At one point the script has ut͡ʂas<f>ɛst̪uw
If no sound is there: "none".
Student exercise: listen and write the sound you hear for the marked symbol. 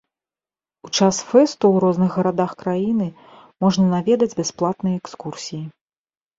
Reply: f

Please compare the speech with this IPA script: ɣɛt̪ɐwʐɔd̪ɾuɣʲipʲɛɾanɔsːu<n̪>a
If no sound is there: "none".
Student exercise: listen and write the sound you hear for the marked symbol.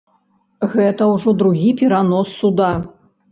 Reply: d̪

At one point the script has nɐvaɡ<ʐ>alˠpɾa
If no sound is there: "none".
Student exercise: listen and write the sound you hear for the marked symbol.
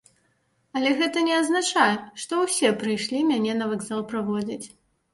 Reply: z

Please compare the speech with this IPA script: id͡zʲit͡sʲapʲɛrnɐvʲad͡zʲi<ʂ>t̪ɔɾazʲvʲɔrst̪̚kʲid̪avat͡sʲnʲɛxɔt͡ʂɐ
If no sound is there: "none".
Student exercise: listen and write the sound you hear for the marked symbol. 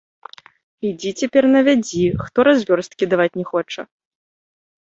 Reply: x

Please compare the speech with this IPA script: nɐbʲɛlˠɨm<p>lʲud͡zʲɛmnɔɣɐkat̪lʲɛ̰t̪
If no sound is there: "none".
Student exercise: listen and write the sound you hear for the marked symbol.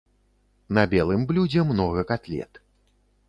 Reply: b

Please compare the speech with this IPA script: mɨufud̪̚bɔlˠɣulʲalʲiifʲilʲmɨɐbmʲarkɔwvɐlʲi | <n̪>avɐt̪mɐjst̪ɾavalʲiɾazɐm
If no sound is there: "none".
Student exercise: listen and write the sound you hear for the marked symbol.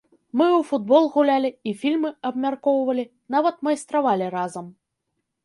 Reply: n̪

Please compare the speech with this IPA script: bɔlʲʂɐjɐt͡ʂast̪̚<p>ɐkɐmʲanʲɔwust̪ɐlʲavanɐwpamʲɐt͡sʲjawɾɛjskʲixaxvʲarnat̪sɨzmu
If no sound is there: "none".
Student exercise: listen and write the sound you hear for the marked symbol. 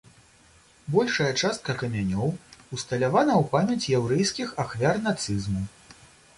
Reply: k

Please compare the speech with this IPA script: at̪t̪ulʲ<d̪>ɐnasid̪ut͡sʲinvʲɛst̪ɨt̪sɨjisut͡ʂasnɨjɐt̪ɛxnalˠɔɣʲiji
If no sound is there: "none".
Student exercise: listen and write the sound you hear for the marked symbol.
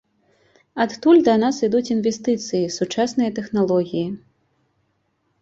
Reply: d̪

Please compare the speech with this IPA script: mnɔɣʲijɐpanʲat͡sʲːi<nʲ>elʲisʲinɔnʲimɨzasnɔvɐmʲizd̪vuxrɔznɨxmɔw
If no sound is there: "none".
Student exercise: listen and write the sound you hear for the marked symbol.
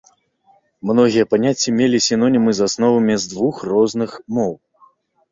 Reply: mʲ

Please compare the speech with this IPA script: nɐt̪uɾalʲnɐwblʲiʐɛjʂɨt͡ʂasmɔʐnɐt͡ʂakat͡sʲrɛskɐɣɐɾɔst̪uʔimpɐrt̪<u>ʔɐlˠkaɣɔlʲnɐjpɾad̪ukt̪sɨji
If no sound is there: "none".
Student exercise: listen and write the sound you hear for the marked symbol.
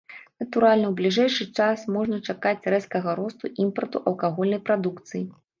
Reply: u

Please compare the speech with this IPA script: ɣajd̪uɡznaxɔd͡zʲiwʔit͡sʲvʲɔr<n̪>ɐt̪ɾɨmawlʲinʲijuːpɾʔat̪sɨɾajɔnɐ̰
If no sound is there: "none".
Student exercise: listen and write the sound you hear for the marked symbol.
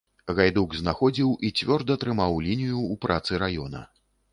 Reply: d̪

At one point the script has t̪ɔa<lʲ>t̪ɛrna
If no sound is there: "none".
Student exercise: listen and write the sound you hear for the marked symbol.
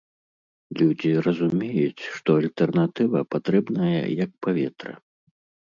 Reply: lʲ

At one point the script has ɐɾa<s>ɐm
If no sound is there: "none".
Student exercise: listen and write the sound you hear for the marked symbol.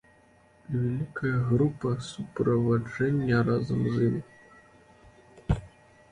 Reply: z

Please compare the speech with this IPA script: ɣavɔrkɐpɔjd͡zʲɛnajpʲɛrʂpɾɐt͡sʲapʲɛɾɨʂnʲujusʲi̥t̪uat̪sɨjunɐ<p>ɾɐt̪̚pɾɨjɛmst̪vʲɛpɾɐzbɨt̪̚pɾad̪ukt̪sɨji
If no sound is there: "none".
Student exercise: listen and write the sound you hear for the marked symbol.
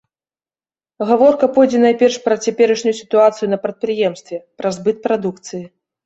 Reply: p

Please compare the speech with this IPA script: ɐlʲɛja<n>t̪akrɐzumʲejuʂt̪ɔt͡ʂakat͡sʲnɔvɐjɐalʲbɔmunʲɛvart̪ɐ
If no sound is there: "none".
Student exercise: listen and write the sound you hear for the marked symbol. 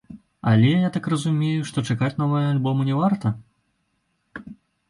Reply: none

